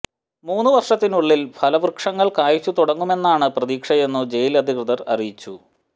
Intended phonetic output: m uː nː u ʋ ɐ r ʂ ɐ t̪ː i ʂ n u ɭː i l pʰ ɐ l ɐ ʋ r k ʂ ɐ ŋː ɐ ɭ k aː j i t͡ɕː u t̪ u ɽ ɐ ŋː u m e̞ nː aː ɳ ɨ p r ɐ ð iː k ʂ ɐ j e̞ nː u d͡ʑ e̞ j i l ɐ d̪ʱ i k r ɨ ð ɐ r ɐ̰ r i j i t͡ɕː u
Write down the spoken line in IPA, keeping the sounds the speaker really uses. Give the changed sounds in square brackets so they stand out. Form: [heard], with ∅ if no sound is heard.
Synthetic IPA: m uː nː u ʋ ɐ r ʂ ɐ t̪ː i [∅] n u ɭː i l pʰ ɐ l ɐ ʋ r k ʂ ɐ ŋː ɐ ɭ k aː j i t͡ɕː u t̪ u ɽ ɐ ŋː u m e̞ nː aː ɳ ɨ p r ɐ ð iː k ʂ ɐ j e̞ nː u d͡ʑ e̞ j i l ɐ d̪ʱ i k r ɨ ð ɐ r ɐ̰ r i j i t͡ɕː u